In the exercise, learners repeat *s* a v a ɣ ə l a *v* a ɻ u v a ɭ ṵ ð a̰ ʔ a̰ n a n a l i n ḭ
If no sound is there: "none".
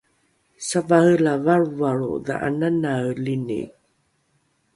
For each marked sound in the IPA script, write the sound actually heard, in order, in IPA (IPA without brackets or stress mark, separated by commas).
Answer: s, v